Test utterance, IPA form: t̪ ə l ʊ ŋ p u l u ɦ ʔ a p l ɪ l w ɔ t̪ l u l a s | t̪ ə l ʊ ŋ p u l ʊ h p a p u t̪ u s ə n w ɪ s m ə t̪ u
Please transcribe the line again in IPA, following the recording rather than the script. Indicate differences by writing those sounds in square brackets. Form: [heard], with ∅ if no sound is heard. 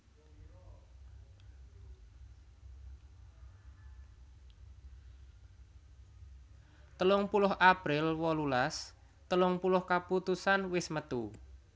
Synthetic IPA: t̪ ə l ʊ ŋ p u l [ʊ] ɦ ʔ a p [ɾ] ɪ l w ɔ [∅] l u l a s | t̪ ə l ʊ ŋ p u l ʊ h [k] a p u t̪ u s [a] n w ɪ s m ə t̪ u